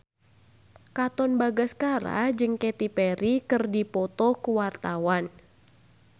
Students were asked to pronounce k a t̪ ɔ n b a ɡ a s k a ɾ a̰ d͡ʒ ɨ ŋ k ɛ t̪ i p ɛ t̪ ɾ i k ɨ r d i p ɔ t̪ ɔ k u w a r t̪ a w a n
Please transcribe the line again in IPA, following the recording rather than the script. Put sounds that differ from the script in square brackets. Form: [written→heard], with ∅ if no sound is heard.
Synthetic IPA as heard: k a t̪ ɔ n b a ɡ a s k a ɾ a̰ d͡ʒ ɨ ŋ k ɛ t̪ i p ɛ [t̪→∅] ɾ i k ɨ r d i p ɔ t̪ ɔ k u w a r t̪ a w a n